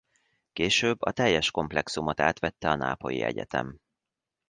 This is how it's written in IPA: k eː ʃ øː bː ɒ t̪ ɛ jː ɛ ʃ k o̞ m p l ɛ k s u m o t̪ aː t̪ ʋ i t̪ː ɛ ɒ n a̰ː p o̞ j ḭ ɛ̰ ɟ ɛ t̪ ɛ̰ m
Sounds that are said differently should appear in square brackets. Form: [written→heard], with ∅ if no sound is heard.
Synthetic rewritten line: k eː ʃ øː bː ɒ t̪ ɛ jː ɛ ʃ k o̞ m p l ɛ k s u m o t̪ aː t̪ ʋ [i→ɛ] t̪ː ɛ ɒ n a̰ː p o̞ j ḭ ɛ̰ ɟ ɛ t̪ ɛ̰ m